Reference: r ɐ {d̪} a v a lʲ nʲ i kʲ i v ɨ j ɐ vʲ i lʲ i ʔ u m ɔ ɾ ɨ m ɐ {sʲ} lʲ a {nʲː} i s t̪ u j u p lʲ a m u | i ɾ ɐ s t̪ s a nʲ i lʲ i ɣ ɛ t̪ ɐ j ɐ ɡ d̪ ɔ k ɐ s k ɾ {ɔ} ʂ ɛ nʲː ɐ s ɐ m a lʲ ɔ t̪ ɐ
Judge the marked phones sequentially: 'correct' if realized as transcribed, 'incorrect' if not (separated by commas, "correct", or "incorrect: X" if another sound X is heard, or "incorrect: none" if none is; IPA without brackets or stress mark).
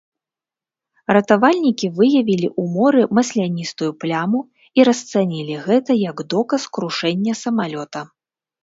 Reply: incorrect: t̪, correct, incorrect: nʲ, incorrect: u